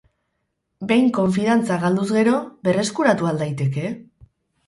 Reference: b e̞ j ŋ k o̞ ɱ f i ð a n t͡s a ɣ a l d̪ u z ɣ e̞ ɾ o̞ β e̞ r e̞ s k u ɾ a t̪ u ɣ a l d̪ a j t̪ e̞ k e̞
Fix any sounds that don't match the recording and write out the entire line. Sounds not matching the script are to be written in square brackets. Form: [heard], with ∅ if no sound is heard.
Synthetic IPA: b e̞ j ŋ k o̞ ɱ f i ð a n t͡s a ɣ a l d̪ u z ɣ e̞ ɾ o̞ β e̞ r e̞ s k u ɾ a t̪ u [∅] a l d̪ a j t̪ e̞ k e̞